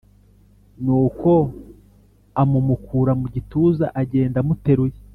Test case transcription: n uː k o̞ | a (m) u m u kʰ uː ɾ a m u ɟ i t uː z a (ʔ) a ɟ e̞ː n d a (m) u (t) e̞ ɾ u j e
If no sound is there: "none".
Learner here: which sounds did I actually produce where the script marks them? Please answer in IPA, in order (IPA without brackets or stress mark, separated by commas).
m, ʔ, m, t